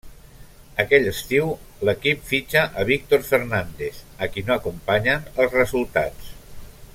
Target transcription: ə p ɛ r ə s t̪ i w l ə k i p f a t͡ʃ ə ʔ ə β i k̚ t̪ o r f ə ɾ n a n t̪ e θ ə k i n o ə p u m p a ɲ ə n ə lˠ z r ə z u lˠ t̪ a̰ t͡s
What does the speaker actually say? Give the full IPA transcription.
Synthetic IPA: ə k ɛ ʎ ə s t̪ i w l ə k i p f i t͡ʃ ə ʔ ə β i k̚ t̪ o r f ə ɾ n a n d̪ e θ ə k i n o ə k u m p a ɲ ə n ə lˠ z r ə z u lˠ t̪ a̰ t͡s